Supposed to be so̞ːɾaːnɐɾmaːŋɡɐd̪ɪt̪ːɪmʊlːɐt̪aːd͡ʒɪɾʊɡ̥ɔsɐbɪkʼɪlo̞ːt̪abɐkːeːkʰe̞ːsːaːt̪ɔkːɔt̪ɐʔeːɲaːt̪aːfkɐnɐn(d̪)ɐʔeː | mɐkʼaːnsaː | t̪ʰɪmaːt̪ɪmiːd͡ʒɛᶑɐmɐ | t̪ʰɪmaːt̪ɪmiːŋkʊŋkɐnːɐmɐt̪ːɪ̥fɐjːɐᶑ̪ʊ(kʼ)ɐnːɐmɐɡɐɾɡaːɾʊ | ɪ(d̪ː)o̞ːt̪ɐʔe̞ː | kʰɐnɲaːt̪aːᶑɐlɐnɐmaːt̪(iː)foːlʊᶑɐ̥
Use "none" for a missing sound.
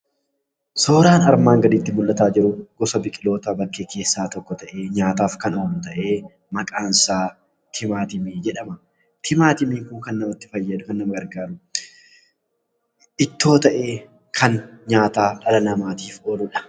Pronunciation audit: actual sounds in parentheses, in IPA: t̪, k, t̪ː, iː

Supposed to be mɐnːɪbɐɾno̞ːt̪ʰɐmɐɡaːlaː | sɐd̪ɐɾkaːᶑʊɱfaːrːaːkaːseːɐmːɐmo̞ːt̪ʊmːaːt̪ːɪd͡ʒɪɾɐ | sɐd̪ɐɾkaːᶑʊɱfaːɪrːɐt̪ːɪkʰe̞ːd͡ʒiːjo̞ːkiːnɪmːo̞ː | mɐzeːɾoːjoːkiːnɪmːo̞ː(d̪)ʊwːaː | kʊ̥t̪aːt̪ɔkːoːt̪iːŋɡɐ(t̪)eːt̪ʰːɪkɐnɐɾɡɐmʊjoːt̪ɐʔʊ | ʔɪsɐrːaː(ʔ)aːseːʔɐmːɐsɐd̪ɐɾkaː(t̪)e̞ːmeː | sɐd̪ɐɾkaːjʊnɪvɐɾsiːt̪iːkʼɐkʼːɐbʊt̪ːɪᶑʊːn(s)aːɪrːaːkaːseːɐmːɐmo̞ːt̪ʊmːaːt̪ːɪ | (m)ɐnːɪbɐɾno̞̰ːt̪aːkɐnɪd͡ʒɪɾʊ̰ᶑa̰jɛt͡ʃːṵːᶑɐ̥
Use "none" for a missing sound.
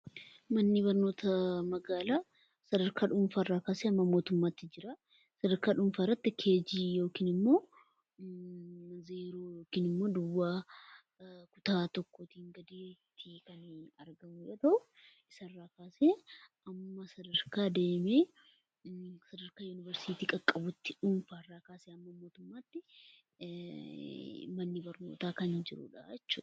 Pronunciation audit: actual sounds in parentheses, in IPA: d̪, d̪, k, d̪, f, m

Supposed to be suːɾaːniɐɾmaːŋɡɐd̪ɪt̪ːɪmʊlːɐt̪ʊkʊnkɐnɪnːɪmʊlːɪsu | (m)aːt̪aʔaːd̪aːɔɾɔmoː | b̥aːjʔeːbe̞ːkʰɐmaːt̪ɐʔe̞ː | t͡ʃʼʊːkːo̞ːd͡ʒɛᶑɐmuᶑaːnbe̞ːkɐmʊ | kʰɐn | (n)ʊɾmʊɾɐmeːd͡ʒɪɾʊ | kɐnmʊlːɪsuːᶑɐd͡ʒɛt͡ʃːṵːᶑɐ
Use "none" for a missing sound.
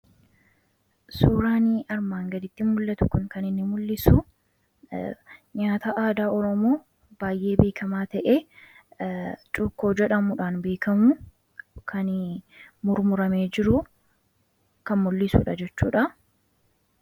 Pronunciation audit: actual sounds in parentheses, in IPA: ɲ, m

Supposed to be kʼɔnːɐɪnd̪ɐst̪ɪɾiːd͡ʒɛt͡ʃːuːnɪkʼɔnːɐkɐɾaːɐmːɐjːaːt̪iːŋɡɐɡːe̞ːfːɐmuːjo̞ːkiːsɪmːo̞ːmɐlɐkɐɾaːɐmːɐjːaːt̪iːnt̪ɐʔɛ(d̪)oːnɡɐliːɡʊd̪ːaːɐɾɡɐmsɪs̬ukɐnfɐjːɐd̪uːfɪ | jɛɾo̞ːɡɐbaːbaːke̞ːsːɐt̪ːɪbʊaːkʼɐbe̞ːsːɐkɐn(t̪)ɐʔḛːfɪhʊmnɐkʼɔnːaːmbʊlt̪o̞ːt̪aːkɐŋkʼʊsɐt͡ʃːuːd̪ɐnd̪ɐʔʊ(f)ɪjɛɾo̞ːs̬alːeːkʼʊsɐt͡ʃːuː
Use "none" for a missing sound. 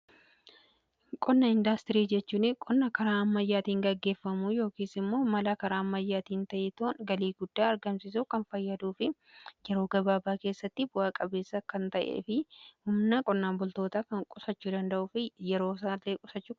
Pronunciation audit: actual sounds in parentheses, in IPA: t̪, t̪, f

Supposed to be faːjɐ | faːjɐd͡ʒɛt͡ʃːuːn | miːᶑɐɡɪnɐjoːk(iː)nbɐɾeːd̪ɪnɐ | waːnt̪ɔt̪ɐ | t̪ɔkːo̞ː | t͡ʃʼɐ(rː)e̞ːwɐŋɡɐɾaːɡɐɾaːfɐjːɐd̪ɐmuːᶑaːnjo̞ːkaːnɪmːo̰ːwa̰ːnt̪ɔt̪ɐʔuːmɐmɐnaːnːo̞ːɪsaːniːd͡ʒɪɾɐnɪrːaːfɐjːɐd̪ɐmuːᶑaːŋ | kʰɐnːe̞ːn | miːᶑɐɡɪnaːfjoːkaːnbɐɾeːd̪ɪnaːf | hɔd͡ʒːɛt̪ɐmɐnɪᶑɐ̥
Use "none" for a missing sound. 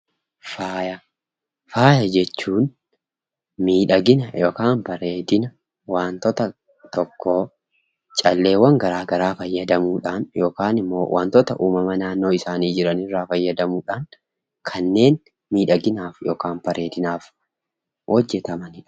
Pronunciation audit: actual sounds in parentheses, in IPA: aː, lː

